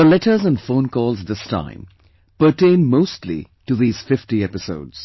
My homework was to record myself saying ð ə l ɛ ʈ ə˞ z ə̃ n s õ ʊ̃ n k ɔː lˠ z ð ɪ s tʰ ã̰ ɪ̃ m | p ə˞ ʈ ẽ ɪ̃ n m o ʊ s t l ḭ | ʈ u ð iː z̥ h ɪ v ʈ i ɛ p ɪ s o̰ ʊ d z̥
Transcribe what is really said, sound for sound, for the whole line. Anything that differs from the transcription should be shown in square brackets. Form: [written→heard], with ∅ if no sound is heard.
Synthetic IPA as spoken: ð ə l ɛ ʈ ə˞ z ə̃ n [s→f] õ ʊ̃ n k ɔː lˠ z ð ɪ s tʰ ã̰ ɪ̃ m | p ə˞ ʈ ẽ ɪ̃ n m o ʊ s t l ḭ | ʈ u ð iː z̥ [h→f] ɪ [v→f] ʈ i ɛ p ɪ s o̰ ʊ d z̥